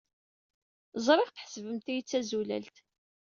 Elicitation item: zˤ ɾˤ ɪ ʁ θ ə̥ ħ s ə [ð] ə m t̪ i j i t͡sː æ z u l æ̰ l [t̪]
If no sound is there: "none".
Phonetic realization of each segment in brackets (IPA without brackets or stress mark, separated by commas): v, t̪